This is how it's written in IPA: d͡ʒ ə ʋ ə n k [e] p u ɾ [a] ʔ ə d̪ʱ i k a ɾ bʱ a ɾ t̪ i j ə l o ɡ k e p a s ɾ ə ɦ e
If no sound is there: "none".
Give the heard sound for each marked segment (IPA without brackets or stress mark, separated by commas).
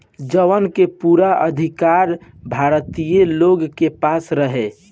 e, a